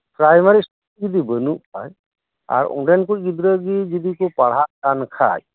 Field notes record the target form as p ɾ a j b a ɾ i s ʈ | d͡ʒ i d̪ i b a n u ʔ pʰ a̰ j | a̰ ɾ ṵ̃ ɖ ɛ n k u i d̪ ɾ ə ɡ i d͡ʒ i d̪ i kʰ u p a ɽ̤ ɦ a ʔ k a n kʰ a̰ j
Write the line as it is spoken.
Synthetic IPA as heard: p ɾ a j m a ɾ i s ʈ | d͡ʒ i d̪ i b ə n u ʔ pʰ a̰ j | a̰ ɾ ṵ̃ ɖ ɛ n k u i d̪ ɾ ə ɡ i d͡ʒ i d̪ i k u p a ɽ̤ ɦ a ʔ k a n kʰ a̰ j